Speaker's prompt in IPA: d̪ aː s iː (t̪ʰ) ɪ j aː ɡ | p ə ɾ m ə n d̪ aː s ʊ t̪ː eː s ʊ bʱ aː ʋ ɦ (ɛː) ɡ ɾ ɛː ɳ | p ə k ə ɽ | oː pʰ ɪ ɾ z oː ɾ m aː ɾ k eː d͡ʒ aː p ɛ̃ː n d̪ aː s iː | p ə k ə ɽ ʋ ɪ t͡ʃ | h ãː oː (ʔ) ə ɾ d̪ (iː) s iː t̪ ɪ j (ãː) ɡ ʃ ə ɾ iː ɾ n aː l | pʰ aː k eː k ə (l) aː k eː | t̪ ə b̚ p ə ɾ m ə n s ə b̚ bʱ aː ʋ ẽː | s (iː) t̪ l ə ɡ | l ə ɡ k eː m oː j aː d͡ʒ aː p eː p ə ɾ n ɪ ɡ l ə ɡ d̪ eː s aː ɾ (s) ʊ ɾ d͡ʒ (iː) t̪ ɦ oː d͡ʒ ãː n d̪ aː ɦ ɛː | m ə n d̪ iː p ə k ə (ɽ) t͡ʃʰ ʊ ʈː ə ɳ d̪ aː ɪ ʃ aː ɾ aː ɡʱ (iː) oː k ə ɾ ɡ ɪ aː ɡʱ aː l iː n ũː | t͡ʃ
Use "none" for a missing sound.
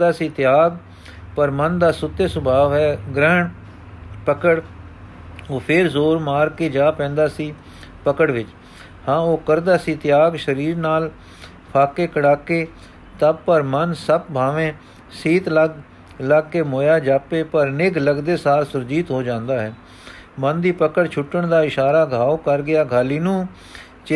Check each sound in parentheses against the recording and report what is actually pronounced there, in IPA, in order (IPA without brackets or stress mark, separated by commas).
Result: t̪, ɛː, k, aː, aː, ɽ, iː, s, iː, ɽ, aː